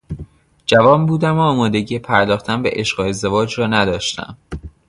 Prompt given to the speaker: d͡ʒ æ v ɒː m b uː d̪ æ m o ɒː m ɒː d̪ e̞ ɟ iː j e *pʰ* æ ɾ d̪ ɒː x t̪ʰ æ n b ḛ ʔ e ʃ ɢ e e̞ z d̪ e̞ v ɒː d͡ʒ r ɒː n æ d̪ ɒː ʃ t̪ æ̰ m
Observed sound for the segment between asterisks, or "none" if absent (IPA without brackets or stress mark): pʰ